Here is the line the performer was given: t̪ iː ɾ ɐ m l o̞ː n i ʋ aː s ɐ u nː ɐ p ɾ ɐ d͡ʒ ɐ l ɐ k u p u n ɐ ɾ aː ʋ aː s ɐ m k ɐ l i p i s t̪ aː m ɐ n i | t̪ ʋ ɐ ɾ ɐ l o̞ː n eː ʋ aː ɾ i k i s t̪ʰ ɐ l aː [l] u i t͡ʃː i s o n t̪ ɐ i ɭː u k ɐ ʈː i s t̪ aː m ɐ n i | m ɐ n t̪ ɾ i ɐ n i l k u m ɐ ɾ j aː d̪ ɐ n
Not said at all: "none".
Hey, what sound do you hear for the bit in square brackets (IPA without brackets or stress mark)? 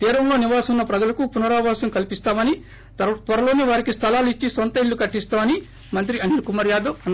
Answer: l